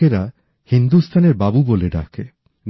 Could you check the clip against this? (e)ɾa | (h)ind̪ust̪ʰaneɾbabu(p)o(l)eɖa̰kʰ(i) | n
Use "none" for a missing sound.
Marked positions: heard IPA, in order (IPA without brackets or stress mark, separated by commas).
e, h, b, l, e